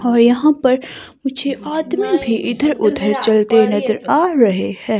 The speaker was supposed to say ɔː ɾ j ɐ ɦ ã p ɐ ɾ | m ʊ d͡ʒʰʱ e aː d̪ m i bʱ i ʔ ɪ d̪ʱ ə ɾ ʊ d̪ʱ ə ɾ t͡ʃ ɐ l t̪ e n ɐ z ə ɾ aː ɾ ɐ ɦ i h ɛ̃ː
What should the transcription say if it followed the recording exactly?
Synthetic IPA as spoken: ɔː ɾ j ɐ ɦ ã p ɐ ɾ | m ʊ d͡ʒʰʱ e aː d̪ m i bʱ i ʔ ɪ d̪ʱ ə ɾ ʊ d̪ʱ ə ɾ t͡ʃ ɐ l t̪ e n ɐ z ə ɾ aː ɾ ɐ ɦ e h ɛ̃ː